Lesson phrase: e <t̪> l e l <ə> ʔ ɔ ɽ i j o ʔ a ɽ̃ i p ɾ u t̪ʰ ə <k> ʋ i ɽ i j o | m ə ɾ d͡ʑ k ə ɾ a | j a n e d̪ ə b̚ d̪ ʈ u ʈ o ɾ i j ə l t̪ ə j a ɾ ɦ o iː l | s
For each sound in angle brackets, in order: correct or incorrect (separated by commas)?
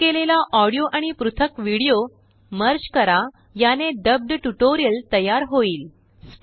incorrect, incorrect, correct